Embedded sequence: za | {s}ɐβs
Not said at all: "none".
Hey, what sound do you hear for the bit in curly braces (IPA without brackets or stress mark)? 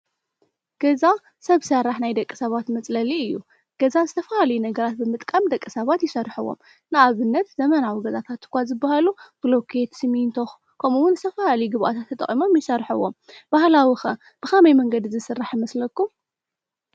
s